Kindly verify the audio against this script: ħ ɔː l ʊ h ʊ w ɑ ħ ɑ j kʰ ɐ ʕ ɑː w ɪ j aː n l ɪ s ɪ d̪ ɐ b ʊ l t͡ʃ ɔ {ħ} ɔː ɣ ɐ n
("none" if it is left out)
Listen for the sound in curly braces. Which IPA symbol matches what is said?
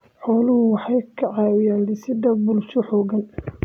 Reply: ħ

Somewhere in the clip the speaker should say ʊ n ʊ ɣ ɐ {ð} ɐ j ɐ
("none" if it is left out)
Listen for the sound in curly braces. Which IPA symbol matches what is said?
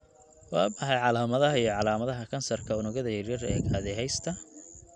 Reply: ð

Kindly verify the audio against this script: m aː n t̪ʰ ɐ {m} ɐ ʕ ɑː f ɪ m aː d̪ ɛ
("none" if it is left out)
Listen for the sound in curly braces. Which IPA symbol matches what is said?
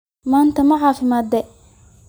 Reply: m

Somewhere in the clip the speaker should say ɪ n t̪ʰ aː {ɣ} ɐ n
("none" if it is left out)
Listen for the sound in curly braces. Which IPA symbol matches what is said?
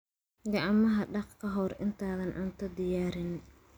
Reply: ð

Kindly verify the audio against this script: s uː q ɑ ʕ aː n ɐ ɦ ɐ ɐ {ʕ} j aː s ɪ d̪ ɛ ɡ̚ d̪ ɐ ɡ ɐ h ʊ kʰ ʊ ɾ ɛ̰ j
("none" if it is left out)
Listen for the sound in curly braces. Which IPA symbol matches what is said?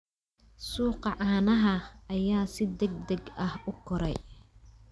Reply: none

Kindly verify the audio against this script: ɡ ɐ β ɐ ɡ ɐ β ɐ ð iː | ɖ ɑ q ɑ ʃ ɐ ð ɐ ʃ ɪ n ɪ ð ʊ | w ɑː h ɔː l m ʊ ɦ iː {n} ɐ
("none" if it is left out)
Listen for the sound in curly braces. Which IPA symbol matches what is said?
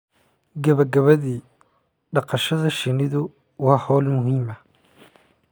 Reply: m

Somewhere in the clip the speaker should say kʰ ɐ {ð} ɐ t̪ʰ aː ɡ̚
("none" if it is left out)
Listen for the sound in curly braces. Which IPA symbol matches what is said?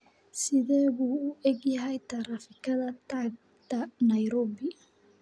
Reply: ð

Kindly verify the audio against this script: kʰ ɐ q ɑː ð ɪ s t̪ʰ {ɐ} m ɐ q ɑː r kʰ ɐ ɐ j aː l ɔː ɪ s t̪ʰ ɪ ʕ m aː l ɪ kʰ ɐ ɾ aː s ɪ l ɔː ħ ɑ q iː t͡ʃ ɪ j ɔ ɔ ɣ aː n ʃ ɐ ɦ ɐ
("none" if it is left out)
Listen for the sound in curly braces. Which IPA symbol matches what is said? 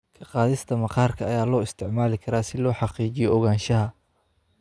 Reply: ɐ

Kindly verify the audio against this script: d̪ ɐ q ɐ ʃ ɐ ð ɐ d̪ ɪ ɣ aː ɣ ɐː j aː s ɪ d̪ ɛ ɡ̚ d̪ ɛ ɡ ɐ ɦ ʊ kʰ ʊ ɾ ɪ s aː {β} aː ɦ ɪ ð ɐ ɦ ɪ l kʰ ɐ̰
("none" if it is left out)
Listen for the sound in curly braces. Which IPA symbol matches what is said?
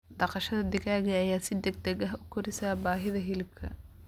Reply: b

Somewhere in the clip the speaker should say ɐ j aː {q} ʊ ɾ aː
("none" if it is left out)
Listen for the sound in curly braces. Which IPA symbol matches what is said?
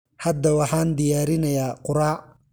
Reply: q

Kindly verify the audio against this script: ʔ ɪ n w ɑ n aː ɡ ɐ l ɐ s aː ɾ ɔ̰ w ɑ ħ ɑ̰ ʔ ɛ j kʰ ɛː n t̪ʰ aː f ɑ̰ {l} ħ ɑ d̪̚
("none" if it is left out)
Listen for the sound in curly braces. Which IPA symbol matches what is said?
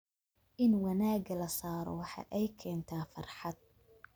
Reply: r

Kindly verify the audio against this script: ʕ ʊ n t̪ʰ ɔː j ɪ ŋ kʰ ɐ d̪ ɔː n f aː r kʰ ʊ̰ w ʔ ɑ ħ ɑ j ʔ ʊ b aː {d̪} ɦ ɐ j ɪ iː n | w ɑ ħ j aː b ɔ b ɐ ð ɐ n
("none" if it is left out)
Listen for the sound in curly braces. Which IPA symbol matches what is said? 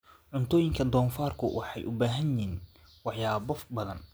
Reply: none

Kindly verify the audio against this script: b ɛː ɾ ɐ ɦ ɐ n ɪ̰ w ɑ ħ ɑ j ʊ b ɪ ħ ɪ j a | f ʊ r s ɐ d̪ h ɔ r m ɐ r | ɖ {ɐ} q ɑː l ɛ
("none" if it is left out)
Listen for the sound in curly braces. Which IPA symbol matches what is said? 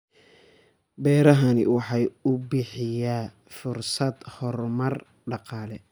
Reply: ɑ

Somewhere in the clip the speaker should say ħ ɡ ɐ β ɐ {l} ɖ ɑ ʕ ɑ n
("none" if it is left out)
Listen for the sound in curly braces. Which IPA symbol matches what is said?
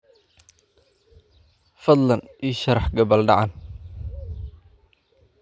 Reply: l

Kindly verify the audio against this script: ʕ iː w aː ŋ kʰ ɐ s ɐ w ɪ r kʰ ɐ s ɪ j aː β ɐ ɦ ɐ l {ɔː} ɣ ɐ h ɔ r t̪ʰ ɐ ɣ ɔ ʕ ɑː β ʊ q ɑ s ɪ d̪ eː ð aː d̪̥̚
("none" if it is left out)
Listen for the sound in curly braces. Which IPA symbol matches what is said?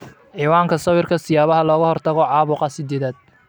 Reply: ɔː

